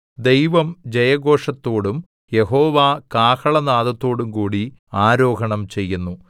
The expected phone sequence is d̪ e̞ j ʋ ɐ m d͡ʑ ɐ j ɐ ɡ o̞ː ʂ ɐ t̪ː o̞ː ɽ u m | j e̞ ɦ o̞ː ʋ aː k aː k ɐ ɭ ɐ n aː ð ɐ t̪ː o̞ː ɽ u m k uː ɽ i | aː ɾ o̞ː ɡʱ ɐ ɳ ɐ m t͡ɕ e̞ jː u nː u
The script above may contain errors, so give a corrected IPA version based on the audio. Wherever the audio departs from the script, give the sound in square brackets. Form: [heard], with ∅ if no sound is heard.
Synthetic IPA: d̪ e̞ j ʋ ɐ m d͡ʑ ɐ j ɐ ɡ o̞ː ʂ ɐ t̪ː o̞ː ɽ u m | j e̞ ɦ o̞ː ʋ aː k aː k ɐ ɭ ɐ n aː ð ɐ t̪ː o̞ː ɽ u m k uː ɽ i | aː ɾ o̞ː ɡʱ ɐ ɳ ɐ m t͡ɕ e̞ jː u nː u